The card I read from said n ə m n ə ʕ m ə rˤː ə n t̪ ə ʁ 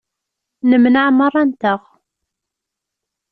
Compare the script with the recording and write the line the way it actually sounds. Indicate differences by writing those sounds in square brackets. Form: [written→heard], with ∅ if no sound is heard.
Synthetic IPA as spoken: n ə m n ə ʕ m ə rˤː [ə→ɑ] n t̪ ə ʁ